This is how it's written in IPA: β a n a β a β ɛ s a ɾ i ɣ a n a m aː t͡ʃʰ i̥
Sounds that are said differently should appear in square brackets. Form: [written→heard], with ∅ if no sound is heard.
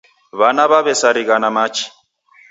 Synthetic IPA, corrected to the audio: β a n a β a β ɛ s a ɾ i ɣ a n a m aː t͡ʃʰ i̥